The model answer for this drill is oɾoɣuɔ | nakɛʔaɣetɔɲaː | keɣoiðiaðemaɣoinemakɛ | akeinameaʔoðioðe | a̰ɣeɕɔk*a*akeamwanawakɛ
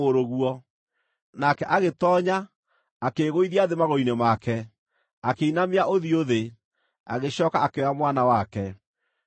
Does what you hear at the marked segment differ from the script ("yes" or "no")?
no